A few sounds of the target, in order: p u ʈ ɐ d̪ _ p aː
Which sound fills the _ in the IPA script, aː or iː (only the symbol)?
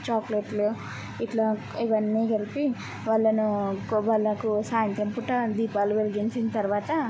iː